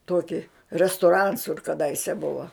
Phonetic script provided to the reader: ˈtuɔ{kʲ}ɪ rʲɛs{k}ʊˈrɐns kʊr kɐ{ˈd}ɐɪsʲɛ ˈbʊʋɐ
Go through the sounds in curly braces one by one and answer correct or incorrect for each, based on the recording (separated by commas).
correct, incorrect, correct